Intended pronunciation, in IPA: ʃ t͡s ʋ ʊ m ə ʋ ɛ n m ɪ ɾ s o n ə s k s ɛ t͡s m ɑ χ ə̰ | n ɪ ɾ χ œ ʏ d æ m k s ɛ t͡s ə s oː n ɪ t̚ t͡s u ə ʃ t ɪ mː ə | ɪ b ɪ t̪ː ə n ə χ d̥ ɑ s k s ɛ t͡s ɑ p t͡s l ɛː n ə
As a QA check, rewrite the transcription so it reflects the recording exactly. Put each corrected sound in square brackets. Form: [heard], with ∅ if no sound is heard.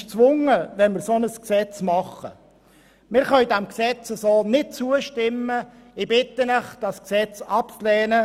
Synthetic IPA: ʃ t͡s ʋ ʊ [ŋ] ə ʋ ɛ n m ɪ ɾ s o n ə s k s ɛ t͡s m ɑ χ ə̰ | [m] ɪ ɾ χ œ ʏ d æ m k s ɛ t͡s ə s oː n ɪ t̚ t͡s u ə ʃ t ɪ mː ə | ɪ b ɪ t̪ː ə n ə χ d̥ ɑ s k s ɛ t͡s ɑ p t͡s l ɛː n ə